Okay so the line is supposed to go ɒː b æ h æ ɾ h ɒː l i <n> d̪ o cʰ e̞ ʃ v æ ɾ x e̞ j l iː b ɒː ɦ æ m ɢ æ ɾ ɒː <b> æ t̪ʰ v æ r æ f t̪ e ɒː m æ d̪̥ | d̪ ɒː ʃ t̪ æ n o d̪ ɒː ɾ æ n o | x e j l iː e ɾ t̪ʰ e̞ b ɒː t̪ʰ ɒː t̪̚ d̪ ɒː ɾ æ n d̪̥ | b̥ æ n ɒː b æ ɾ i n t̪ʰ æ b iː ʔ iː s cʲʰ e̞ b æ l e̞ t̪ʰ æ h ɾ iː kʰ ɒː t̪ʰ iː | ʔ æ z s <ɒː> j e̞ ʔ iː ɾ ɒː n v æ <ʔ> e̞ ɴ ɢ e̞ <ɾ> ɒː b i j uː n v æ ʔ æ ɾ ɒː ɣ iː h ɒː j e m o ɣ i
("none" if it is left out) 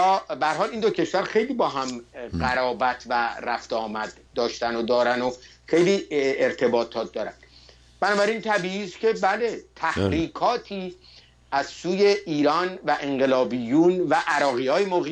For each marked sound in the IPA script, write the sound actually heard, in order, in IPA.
n, b, uː, ʔ, l

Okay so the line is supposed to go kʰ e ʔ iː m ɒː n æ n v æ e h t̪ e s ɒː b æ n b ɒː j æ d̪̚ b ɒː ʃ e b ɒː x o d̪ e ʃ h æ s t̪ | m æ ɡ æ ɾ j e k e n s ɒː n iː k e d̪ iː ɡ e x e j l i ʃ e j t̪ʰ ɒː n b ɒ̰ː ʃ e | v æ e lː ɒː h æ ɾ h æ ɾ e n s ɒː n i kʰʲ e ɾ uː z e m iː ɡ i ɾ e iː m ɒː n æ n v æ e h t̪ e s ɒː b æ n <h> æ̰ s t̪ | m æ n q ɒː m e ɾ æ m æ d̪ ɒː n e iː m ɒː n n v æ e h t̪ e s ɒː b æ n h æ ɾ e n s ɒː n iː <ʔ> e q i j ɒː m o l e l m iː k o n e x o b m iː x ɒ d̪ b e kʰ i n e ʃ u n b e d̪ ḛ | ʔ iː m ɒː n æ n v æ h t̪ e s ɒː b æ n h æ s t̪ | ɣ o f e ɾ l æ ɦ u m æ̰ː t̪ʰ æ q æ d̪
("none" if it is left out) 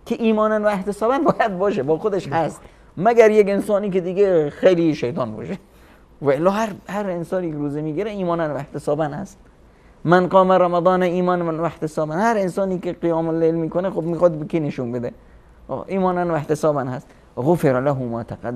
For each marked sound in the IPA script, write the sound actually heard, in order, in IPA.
h, k

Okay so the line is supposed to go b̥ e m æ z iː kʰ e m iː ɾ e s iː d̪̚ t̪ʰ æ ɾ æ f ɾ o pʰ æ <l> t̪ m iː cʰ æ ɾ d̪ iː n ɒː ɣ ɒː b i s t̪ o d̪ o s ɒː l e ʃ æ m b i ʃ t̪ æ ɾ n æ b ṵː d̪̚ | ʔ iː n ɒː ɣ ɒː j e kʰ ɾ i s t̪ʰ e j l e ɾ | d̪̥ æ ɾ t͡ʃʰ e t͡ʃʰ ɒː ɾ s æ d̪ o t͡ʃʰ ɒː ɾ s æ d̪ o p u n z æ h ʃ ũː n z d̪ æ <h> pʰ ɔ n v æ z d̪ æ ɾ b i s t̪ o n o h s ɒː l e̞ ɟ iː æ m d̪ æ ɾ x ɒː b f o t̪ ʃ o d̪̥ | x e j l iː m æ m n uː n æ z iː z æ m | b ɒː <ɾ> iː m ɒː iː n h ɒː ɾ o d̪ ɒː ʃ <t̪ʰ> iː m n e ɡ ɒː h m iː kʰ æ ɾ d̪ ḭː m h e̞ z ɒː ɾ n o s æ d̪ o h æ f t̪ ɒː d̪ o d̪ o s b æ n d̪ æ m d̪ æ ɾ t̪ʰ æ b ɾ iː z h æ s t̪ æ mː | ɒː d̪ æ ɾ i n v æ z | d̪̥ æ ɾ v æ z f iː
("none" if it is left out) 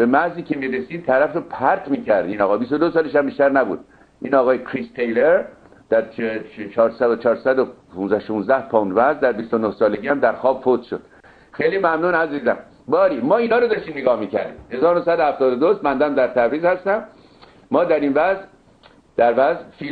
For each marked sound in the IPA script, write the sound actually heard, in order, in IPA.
ɾ, h, ɾ, t̪

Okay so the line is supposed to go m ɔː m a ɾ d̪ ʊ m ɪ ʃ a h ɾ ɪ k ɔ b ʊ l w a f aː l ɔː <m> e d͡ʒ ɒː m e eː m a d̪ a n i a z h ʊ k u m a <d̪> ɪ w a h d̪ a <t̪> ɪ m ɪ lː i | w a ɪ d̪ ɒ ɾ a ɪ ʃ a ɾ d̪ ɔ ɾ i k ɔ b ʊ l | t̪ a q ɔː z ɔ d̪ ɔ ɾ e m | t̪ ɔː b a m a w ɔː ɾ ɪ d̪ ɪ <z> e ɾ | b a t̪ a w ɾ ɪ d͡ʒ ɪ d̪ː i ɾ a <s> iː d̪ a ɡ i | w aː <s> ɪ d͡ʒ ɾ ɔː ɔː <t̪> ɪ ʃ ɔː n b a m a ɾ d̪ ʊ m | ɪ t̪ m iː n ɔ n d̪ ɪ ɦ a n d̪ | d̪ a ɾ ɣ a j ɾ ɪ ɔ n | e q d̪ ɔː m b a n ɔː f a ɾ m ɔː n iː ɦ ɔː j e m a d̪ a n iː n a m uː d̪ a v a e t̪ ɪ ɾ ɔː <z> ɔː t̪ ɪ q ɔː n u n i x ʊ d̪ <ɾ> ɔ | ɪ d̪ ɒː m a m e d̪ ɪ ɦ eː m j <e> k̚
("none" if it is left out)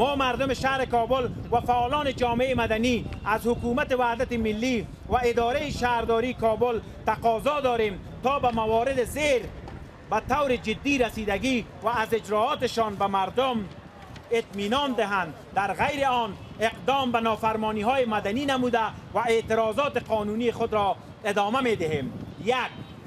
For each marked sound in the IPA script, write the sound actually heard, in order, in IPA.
n, t̪, t̪, z, s, z, t̪, z, ɾ, a

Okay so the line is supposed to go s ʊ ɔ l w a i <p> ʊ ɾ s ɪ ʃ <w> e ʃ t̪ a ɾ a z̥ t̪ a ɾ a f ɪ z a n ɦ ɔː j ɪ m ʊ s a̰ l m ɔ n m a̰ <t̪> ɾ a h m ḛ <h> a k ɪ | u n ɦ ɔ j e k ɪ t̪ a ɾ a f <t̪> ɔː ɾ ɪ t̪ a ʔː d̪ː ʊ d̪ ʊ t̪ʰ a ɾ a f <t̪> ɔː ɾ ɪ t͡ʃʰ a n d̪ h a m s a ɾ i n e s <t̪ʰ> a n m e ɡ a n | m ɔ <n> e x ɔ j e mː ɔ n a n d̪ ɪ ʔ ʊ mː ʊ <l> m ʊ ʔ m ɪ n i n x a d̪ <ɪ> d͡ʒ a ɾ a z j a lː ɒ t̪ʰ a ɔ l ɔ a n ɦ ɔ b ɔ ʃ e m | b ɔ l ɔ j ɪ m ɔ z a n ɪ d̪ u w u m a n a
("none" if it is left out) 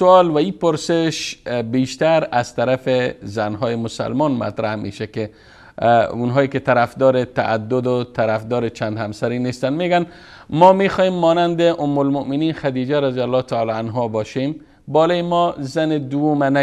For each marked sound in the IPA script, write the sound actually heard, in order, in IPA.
p, b, t̪, ʃ, d̪, d̪, t̪, m, l, i

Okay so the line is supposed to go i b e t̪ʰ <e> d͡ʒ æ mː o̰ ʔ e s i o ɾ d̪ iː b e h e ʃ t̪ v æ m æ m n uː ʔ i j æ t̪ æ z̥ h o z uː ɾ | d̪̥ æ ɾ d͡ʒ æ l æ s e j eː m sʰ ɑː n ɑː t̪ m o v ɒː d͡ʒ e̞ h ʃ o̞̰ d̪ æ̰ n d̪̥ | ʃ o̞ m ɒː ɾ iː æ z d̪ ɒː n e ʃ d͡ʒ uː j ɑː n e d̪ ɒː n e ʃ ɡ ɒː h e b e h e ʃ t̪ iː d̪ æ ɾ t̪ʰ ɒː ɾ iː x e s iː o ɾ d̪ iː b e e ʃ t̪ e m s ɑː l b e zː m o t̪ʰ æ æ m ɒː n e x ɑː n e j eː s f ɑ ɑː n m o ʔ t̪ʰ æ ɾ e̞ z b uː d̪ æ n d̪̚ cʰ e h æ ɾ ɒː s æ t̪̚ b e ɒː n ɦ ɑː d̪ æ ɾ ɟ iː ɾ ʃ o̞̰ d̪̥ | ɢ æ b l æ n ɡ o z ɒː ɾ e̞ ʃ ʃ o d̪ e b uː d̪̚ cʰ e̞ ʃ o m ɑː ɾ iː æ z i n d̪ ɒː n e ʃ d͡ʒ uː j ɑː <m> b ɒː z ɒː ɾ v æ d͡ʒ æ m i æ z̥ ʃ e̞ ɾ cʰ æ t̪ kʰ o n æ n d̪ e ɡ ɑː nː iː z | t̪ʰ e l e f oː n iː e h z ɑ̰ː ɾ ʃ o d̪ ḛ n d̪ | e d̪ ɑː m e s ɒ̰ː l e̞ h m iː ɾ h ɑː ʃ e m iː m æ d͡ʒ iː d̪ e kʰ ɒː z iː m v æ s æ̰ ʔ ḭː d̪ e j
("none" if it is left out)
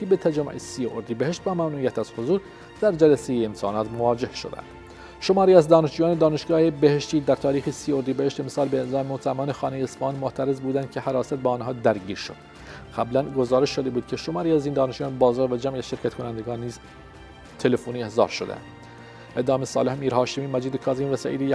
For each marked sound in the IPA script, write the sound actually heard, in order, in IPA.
æ, n

